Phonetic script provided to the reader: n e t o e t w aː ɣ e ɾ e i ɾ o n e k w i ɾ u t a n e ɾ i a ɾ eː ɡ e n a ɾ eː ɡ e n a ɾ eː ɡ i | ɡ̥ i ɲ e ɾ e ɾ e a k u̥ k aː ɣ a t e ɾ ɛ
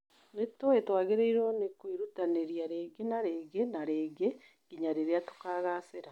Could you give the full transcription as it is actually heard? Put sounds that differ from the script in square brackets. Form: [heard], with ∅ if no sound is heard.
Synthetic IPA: n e t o e t w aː ɣ e ɾ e i ɾ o n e k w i ɾ u t a n e ɾ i a ɾ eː ɡ e n a ɾ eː ɡ e n a ɾ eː ɡ [e] | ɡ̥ i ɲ [a] ɾ e ɾ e a [t] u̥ k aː ɣ a [s] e ɾ [a]